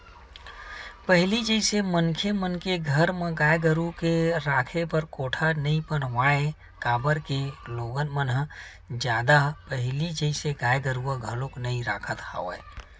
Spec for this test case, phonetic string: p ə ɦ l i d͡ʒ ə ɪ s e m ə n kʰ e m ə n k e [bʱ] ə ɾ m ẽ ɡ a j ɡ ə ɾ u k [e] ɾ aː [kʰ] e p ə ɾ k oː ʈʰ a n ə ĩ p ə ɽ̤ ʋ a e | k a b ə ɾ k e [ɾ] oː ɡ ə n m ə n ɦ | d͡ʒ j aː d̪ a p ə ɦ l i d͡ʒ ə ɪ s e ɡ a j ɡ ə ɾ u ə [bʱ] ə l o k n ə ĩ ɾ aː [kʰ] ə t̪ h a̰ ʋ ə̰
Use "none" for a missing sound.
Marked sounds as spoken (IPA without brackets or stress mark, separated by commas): ɡʱ, e, kʰ, l, ɡʱ, kʰ